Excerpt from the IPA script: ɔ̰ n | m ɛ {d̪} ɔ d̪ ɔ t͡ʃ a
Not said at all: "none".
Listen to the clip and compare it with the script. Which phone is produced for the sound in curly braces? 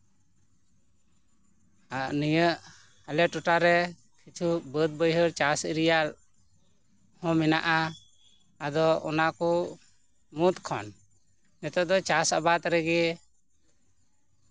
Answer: t̪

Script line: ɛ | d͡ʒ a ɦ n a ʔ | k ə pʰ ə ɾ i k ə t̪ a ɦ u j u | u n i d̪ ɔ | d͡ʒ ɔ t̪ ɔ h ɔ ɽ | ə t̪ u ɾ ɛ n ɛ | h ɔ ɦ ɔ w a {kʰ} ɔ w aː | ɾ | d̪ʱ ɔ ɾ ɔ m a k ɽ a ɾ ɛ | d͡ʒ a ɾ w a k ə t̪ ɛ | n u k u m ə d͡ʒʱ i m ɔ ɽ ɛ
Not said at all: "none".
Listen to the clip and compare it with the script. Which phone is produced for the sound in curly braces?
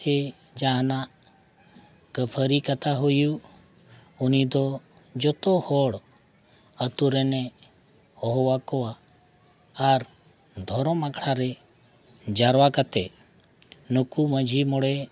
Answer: k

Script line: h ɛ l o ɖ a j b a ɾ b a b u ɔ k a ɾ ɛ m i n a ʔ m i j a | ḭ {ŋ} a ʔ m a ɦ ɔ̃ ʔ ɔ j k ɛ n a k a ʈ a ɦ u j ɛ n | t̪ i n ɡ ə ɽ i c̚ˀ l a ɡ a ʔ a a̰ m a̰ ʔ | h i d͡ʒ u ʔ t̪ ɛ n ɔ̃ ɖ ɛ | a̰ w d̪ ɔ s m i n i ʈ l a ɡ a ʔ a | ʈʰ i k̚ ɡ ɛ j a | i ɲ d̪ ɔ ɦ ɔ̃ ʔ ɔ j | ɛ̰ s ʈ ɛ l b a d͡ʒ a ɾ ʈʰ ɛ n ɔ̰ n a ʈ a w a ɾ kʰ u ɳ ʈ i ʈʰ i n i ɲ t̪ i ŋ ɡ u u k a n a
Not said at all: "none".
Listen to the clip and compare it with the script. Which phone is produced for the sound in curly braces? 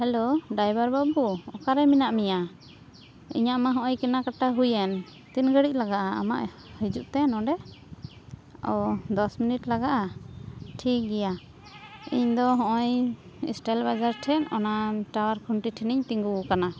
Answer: ɲ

